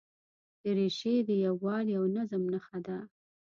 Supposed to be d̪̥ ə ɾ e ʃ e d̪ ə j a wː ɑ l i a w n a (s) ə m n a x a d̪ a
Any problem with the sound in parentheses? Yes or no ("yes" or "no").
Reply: yes